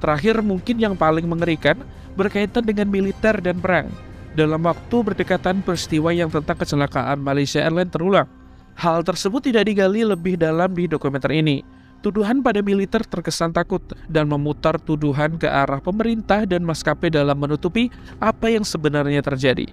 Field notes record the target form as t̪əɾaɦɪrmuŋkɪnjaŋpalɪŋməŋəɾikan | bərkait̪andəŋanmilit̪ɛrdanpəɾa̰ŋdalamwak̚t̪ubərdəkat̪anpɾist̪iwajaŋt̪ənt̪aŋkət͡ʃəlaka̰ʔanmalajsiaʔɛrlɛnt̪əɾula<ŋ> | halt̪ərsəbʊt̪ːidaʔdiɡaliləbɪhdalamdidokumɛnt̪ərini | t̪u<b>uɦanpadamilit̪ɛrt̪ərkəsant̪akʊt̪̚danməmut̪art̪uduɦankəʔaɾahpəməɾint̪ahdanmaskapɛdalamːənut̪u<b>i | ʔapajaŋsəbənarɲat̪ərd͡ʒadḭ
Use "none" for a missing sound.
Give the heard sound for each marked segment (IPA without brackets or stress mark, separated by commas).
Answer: ŋ, d, p